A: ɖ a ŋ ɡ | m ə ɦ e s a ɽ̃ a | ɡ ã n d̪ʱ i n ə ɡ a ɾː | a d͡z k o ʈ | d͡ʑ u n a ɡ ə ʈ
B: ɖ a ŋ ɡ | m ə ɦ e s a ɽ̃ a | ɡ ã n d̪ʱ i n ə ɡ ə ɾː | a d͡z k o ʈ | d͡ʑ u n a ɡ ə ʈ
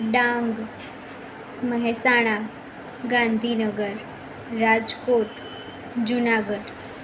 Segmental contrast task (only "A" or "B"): B